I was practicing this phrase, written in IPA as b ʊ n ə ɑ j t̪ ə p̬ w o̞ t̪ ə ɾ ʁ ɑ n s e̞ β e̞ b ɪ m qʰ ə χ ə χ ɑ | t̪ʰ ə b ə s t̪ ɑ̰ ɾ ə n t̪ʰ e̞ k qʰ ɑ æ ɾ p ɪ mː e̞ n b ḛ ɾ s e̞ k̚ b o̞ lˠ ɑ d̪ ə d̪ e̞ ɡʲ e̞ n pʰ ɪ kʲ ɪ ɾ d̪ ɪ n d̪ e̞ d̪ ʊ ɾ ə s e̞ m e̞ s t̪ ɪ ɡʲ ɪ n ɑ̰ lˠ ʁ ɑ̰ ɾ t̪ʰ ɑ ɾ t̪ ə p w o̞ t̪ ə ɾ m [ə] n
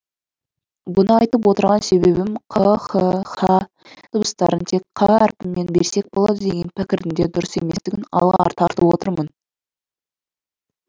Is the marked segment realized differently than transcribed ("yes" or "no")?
no